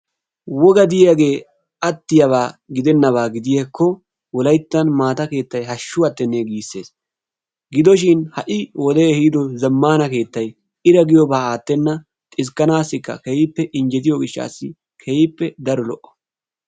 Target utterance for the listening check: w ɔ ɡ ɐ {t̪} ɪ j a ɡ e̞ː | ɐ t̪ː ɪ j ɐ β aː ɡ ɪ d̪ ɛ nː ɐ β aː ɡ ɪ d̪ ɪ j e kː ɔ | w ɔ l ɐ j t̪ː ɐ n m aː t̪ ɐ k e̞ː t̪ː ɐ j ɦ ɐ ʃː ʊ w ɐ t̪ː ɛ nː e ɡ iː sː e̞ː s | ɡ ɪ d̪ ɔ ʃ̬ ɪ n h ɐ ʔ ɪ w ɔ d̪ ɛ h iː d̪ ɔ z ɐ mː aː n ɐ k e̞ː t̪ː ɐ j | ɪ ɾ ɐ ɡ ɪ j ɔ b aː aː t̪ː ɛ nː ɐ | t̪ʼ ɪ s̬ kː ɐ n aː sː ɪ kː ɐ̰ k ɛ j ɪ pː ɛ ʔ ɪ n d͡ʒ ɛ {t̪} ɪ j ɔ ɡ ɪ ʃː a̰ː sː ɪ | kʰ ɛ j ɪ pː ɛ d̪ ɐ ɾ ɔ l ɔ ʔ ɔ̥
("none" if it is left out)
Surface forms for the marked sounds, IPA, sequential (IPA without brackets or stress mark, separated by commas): d̪, t̪